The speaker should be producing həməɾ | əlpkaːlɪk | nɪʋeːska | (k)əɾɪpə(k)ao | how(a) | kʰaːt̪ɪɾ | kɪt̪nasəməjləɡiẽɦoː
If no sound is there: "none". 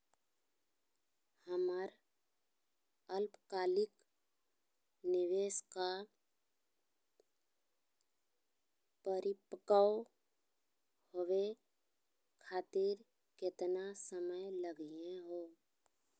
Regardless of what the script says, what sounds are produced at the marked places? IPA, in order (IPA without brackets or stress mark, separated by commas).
p, k, e